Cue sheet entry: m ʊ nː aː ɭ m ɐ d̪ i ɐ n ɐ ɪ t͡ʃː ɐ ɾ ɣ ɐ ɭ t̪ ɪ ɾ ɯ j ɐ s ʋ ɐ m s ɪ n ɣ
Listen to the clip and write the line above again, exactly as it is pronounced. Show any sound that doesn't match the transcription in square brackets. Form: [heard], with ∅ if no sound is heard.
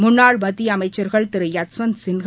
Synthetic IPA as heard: m ʊ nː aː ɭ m ɐ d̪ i ɐ [m] ɐ ɪ t͡ʃː ɐ ɾ ɣ ɐ ɭ t̪ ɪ ɾ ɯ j ɐ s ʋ ɐ [n] s ɪ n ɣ